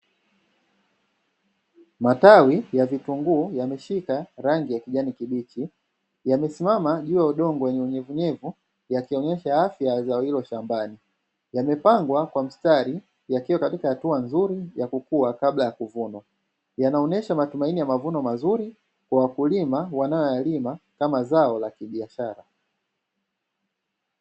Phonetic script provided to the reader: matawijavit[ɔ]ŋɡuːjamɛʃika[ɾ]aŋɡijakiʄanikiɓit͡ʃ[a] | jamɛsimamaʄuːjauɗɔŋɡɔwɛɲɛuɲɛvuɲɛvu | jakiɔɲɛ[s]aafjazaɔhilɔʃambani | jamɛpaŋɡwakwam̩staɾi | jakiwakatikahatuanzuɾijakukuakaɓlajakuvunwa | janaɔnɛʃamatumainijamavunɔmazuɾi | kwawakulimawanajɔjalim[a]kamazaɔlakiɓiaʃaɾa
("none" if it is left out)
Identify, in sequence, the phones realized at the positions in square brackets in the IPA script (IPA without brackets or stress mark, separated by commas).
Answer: u, ɾ, i, ʃ, a